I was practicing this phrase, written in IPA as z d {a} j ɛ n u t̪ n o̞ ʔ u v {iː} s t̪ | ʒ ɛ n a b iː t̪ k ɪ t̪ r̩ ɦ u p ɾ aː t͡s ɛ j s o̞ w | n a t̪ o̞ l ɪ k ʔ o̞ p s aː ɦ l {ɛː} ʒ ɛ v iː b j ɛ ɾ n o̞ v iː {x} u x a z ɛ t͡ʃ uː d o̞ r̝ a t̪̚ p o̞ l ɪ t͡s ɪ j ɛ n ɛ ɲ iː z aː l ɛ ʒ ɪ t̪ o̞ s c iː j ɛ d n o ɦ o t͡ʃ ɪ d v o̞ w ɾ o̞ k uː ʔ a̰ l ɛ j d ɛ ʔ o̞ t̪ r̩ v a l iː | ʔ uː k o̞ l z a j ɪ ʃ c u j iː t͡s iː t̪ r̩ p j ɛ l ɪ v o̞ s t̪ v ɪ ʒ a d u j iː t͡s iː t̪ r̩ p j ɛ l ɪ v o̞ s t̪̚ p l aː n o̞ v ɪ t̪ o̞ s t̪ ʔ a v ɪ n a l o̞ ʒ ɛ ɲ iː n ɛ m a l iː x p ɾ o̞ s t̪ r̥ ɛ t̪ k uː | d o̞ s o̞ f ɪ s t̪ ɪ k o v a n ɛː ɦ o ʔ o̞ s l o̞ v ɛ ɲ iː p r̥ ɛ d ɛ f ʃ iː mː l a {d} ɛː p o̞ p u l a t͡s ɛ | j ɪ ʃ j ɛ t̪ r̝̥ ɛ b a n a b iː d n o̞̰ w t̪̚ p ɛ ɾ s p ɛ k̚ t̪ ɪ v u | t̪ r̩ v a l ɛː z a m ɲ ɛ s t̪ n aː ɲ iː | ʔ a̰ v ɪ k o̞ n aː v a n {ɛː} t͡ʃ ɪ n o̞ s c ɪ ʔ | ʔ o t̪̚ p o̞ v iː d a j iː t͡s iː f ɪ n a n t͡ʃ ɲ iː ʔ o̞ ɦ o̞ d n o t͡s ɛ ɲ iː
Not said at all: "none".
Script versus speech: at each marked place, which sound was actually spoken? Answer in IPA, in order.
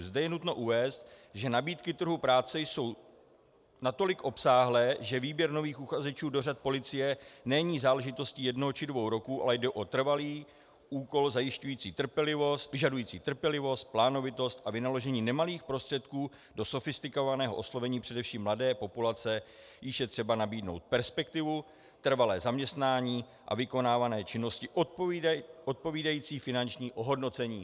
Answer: ɛ, ɛː, ɛː, x, d, ɛː

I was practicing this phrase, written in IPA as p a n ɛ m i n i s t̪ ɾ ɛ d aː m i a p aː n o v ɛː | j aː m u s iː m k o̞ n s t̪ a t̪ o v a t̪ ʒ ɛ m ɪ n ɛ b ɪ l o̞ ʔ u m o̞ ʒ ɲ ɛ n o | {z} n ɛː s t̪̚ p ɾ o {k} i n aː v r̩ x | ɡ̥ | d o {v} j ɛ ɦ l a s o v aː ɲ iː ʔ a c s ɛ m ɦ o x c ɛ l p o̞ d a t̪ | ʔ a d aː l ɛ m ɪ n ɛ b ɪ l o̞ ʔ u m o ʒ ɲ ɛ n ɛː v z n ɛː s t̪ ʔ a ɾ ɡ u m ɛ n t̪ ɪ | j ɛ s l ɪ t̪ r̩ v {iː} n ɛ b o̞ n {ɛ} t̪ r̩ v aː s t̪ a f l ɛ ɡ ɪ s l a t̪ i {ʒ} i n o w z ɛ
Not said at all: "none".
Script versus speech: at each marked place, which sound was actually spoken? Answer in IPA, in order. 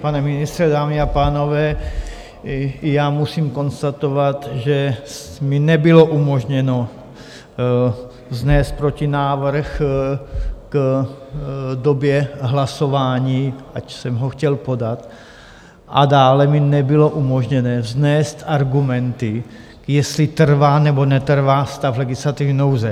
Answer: z, c, b, aː, ɛ, v

